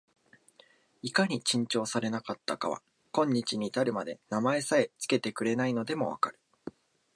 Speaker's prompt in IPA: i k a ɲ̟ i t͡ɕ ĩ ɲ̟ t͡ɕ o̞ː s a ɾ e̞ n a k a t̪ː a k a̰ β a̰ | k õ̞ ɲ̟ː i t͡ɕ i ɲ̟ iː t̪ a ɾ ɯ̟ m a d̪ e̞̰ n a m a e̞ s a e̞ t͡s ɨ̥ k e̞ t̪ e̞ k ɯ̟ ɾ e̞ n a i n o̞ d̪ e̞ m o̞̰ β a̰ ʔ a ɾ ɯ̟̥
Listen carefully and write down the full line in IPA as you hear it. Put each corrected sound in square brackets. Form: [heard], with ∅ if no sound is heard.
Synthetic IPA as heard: i k a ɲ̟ i t͡ɕ ĩ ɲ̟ t͡ɕ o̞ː s a ɾ e̞ n a k a t̪ː a k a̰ β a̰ | k õ̞ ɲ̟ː i t͡ɕ i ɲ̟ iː t̪ a ɾ ɯ̟ m a d̪ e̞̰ n a m a e̞ s a e̞ t͡s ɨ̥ k e̞ t̪ e̞ k ɯ̟ ɾ e̞ n a i n o̞ d̪ e̞ m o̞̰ β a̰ [k] a ɾ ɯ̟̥